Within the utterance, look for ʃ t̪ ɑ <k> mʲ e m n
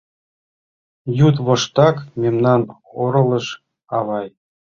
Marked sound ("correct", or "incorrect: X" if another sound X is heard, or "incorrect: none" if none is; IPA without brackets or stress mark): correct